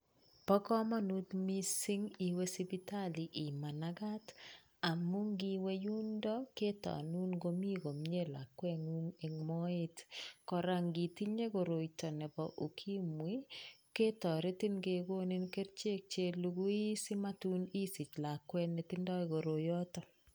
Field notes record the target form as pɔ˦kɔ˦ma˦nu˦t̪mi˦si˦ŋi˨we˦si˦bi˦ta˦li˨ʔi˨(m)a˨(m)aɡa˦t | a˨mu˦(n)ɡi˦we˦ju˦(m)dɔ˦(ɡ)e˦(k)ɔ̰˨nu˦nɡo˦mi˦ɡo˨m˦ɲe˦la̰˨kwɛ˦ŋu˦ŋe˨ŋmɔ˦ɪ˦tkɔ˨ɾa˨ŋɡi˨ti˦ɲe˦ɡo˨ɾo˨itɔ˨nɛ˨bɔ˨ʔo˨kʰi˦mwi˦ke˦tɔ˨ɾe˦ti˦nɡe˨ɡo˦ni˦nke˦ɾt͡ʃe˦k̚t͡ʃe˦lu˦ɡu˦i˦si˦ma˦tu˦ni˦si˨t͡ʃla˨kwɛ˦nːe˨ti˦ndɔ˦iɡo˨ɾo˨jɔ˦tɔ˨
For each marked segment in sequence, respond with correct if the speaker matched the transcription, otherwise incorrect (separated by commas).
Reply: correct, incorrect, incorrect, incorrect, incorrect, incorrect